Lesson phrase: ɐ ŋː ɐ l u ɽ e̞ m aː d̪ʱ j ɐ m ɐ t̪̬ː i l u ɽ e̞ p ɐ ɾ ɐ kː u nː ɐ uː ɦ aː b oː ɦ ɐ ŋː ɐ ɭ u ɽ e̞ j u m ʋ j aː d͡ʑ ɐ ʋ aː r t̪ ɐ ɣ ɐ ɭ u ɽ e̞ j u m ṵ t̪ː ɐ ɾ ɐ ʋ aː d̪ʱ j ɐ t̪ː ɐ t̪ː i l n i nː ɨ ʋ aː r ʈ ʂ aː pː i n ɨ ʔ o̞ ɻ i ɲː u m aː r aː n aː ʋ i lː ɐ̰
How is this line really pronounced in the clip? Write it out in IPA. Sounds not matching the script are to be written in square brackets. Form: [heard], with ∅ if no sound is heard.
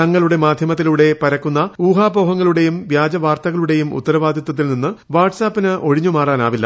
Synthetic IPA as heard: ɐ ŋː ɐ [ɭ] u ɽ e̞ m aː d̪ʱ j ɐ m ɐ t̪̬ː i l u ɽ e̞ p ɐ ɾ ɐ kː u nː ɐ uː ɦ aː b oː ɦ ɐ ŋː ɐ ɭ u ɽ e̞ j u m ʋ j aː d͡ʑ ɐ ʋ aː r t̪ ɐ ɣ ɐ ɭ u ɽ e̞ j u m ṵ t̪ː ɐ ɾ ɐ ʋ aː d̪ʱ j ɐ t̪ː ɐ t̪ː i l n i nː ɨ ʋ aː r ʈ [s] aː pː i n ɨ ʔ o̞ ɻ i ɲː u m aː r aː n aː ʋ i lː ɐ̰